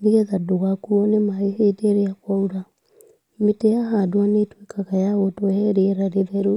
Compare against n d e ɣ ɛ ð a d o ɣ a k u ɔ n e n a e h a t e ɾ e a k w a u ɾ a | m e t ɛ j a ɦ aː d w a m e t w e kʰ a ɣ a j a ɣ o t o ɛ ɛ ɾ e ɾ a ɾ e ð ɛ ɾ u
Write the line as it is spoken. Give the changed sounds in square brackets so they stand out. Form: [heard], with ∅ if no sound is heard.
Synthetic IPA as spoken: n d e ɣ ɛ ð a d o ɣ a k u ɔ n e [m] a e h [e] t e ɾ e a k w a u ɾ a | m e t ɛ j a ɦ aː d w a [n] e t w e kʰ a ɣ a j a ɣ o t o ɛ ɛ ɾ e ɾ a ɾ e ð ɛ ɾ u